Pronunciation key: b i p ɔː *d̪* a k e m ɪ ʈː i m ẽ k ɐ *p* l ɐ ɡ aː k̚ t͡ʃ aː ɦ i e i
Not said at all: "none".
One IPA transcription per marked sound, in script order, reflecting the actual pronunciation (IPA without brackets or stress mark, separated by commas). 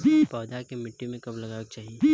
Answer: d̪, b